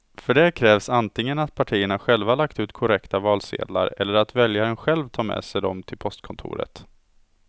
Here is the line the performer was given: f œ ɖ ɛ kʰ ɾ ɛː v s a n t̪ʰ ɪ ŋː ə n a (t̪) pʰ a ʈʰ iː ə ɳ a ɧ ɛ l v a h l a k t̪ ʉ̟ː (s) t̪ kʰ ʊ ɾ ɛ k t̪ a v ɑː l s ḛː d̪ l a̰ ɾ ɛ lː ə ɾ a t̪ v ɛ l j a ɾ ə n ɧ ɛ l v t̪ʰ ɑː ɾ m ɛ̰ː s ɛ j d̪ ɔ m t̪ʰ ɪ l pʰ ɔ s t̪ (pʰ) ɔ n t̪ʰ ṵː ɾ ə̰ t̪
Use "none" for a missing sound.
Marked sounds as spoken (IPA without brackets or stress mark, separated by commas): t̪, none, kʰ